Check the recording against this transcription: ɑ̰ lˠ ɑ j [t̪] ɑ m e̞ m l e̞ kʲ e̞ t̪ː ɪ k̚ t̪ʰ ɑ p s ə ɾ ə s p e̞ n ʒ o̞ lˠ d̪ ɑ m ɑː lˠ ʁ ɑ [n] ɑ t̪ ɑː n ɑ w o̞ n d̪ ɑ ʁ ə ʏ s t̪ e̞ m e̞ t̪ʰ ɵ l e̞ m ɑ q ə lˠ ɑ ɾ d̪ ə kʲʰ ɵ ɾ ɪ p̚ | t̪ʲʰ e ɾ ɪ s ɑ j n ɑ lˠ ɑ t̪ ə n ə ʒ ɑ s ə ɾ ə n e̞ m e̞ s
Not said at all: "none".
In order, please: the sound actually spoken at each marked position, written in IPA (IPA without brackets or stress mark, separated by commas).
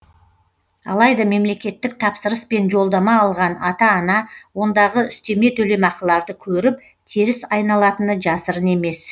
d̪, n